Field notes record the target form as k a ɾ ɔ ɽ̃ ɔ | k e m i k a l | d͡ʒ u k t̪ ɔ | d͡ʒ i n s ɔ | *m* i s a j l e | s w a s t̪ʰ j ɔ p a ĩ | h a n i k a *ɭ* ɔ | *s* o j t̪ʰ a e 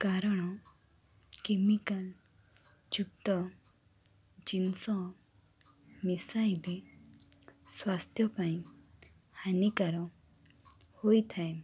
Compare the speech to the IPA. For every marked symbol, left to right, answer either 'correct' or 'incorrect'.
correct, incorrect, incorrect

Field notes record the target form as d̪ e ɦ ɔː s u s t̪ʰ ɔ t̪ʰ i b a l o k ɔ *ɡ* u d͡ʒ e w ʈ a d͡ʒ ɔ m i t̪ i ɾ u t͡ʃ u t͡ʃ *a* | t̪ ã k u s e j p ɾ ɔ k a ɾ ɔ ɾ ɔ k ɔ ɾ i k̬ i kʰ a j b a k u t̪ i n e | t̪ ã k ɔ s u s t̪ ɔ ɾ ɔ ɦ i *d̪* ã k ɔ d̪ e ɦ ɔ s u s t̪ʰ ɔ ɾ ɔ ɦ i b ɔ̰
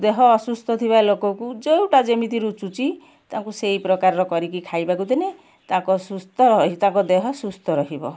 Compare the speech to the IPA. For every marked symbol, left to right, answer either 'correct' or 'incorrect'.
incorrect, incorrect, incorrect

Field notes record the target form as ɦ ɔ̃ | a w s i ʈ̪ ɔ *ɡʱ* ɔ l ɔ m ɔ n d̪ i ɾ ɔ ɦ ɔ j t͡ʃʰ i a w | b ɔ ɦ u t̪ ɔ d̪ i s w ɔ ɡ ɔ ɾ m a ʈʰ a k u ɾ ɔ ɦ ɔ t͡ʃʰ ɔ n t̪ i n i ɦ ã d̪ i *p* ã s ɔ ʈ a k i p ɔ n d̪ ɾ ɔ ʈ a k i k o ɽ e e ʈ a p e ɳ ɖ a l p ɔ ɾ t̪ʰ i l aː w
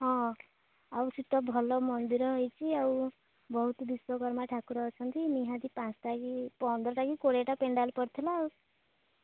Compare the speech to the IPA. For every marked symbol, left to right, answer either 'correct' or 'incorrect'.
incorrect, correct

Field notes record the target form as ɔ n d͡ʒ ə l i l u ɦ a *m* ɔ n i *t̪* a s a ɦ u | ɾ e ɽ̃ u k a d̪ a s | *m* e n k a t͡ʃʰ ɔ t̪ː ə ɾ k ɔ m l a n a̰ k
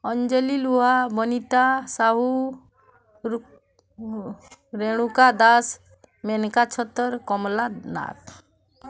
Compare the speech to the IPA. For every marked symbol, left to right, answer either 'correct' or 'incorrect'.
incorrect, correct, correct

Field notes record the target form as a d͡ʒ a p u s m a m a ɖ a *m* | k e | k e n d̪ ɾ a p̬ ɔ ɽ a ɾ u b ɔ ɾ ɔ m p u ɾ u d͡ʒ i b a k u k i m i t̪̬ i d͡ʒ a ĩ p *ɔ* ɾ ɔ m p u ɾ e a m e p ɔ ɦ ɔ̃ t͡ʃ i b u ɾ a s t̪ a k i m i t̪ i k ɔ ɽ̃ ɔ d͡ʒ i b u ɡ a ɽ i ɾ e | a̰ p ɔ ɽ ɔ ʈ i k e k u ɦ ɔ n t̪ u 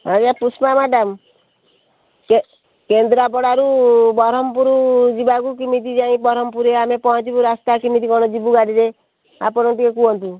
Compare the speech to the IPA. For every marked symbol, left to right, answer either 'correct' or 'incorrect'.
correct, correct

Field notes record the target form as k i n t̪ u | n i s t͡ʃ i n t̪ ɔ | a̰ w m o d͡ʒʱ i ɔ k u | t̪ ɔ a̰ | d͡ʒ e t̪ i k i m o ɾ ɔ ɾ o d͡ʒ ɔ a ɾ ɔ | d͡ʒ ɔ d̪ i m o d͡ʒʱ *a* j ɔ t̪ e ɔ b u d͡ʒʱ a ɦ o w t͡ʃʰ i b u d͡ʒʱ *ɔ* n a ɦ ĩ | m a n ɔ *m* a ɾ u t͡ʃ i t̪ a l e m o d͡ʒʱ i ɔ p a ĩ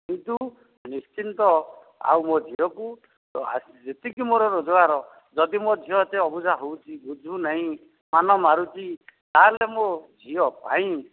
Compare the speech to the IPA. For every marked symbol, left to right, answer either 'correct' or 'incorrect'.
incorrect, incorrect, correct

